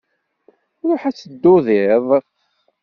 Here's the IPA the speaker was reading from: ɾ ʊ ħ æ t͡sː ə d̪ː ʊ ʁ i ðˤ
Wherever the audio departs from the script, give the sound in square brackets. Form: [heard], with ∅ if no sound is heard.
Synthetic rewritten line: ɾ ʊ ħ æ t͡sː ə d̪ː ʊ [ð] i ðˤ